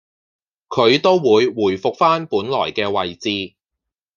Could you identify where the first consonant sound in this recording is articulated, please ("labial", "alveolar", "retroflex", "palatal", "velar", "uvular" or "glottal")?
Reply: velar